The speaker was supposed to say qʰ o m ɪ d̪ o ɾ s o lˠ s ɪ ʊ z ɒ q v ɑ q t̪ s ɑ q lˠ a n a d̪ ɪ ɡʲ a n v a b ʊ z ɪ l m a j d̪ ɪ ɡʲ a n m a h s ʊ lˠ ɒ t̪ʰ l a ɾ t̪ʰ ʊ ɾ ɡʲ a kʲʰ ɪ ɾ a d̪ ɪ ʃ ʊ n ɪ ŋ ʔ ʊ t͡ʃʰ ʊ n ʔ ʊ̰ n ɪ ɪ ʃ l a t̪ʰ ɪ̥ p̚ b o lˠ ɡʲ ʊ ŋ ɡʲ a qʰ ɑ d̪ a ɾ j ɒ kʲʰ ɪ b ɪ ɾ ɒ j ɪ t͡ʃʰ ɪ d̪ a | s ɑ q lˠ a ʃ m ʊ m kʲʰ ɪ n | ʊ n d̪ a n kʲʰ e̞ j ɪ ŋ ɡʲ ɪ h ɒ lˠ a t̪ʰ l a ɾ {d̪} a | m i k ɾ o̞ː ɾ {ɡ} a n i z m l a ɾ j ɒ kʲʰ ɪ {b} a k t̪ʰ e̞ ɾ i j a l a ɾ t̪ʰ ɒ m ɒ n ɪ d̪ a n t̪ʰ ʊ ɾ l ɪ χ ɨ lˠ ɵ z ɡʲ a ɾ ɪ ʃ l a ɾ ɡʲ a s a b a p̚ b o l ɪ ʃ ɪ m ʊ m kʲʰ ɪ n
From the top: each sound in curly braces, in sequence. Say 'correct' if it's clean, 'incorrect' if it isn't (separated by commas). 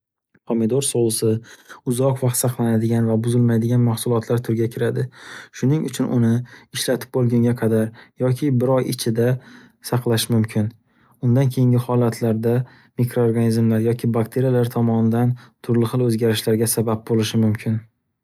correct, correct, correct